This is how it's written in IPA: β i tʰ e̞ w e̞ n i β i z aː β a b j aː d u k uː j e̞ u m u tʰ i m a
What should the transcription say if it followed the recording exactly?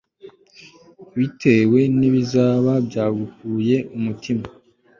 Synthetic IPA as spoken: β i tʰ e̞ w e̞ n i β i z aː β a b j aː ɡ u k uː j e̞ u m u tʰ i m a

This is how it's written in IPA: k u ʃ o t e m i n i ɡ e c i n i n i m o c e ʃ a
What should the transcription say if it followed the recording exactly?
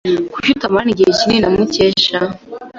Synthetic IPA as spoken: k u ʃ u t a m a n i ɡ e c i n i n a m u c e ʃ a

